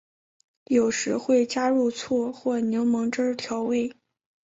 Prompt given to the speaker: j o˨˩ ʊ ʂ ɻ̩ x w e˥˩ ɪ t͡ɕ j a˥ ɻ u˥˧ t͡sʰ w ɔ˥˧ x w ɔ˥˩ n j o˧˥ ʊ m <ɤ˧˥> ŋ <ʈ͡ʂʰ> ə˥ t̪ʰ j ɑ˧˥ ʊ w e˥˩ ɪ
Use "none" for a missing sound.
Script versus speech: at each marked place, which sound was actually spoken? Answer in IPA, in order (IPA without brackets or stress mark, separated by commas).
ɤ˧˥, ʈ͡ʂ